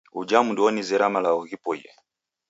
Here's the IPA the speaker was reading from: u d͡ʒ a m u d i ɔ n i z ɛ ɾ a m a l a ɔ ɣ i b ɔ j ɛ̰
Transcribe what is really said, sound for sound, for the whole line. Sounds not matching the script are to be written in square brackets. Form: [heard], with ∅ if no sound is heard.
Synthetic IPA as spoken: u d͡ʒ a m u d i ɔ n i z ɛ ɾ a m a l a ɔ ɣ i [p] ɔ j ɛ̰